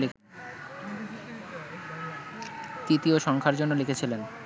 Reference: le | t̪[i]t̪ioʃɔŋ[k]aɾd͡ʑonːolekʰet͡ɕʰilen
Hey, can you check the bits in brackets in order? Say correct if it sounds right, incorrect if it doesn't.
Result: correct, incorrect: kʰ

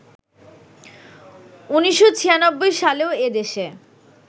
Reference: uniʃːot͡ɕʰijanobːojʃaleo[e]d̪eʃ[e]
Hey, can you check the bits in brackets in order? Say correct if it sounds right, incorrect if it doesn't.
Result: correct, correct

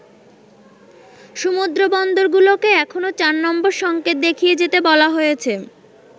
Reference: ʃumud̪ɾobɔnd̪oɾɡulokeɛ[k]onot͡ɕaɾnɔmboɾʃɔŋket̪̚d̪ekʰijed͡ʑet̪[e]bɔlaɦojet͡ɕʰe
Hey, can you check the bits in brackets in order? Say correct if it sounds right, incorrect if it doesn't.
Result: incorrect: kʰ, correct

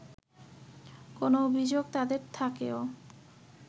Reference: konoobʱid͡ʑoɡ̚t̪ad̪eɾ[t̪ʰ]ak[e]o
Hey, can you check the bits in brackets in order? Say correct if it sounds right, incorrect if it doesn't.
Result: correct, correct

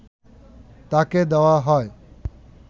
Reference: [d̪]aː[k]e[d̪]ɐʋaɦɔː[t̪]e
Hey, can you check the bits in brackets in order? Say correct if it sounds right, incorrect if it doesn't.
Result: incorrect: t̪, correct, correct, incorrect: none

